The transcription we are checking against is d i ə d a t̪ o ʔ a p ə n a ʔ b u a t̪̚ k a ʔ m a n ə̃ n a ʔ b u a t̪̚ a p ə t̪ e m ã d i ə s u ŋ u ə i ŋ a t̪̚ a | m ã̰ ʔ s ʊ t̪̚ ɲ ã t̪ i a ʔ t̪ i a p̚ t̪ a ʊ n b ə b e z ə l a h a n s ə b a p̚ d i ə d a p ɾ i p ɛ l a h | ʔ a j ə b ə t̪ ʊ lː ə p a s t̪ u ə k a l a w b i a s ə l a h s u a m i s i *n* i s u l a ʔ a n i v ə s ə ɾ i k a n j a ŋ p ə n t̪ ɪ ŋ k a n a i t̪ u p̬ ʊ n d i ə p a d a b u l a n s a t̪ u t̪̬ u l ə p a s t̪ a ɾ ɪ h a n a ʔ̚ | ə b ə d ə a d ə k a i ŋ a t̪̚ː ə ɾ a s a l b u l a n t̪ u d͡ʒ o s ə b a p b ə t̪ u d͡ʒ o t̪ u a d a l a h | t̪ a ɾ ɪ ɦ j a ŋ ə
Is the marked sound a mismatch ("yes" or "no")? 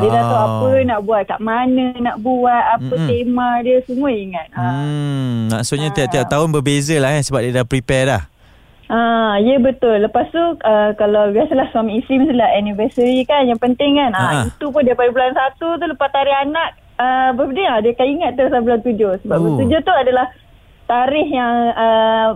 yes